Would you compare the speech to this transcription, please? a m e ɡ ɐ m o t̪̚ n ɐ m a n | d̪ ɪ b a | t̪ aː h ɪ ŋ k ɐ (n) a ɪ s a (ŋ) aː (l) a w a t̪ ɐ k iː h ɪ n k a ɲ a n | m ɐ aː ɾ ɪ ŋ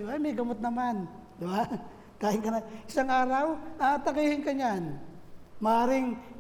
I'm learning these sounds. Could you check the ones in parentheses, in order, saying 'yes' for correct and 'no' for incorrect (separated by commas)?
yes, yes, no